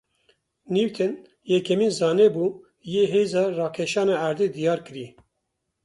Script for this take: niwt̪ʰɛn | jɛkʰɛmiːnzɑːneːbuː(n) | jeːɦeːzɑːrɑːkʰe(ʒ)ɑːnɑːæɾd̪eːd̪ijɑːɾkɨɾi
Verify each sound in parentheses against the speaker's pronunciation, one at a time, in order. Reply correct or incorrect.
incorrect, incorrect

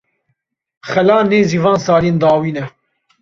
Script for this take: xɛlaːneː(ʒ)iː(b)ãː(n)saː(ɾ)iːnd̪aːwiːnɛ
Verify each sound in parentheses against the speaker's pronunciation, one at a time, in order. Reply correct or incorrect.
incorrect, incorrect, correct, incorrect

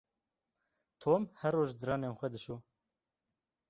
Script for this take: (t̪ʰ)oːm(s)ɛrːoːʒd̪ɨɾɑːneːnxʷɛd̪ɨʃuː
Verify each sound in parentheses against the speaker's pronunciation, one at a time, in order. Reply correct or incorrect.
correct, incorrect

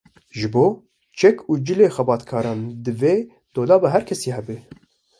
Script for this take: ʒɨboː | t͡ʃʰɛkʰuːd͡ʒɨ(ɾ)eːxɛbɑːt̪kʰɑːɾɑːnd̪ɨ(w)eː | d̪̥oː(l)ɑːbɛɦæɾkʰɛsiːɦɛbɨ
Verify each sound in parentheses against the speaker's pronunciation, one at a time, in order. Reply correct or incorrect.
incorrect, incorrect, correct

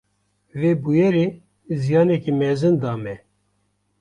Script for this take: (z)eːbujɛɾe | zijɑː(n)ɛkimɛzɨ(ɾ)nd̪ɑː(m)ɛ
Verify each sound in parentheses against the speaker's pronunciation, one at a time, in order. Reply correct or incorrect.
incorrect, correct, incorrect, correct

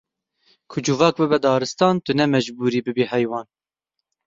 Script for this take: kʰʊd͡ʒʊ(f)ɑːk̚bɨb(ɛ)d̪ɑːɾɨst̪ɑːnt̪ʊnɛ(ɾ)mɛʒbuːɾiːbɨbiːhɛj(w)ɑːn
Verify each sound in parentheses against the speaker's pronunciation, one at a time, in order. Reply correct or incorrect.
incorrect, correct, incorrect, correct

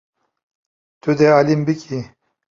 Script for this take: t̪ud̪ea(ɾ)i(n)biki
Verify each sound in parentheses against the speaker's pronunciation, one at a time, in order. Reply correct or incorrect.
incorrect, incorrect

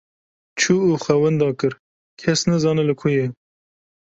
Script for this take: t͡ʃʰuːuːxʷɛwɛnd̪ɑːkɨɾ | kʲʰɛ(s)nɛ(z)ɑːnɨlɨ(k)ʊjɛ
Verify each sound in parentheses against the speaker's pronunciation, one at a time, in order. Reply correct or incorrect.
correct, correct, incorrect

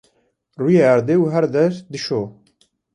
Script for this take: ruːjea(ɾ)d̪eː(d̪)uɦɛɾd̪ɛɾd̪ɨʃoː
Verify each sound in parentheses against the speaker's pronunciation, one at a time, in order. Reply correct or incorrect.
correct, incorrect

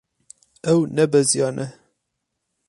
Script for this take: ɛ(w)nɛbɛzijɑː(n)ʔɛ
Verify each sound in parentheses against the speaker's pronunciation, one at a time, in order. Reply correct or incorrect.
correct, correct

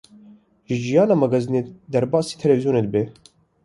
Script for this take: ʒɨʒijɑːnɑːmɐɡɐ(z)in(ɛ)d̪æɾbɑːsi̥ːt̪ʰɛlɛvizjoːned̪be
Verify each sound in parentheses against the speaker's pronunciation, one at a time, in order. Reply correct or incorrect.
correct, incorrect

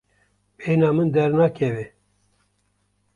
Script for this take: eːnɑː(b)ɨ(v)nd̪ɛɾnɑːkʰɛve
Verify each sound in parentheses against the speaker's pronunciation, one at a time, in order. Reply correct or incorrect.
incorrect, incorrect

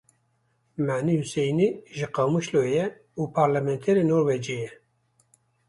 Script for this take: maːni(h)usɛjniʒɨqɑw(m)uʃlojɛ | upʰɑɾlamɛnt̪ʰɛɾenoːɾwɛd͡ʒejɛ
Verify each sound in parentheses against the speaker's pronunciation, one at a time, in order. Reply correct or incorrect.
correct, correct

